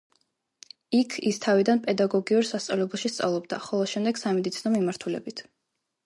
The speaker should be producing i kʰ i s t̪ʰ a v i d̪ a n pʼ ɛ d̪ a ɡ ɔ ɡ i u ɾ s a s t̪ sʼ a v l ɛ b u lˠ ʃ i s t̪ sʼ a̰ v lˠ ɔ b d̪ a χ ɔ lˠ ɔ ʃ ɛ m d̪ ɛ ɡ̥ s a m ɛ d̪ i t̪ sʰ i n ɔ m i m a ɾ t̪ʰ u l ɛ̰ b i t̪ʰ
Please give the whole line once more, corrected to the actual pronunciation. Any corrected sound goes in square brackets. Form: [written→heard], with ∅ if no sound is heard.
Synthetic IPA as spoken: i kʰ i s t̪ʰ a v i d̪ a n pʼ ɛ d̪ a ɡ ɔ ɡ i u ɾ s a s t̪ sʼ a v l ɛ b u lˠ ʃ i s t̪ sʼ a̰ v lˠ ɔ b d̪ a χ ɔ lˠ ɔ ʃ ɛ m d̪ ɛ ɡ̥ s a m ɛ d̪ i t̪ sʰ i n ɔ m i m a ɾ t̪ʰ u l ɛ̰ b i t̪ʰ